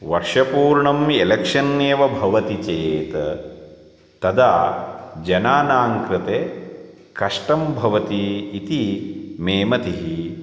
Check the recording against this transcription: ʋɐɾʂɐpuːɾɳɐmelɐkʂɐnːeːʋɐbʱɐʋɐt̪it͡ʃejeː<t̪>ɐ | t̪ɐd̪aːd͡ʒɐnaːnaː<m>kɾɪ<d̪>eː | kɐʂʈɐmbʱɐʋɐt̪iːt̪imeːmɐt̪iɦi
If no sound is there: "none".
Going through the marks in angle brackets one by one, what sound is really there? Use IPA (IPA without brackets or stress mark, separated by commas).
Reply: t̪, ŋ, t̪